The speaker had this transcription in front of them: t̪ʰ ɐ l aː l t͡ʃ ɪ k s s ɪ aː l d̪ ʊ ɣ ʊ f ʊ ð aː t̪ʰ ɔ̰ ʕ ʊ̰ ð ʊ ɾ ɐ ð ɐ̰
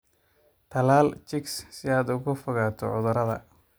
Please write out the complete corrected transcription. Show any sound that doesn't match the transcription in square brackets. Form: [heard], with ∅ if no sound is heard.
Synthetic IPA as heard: t̪ʰ ɐ l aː l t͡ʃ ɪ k s s ɪ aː [∅] d̪ ʊ ɣ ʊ f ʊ [ɣ] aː t̪ʰ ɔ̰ ʕ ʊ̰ ð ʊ ɾ ɐ ð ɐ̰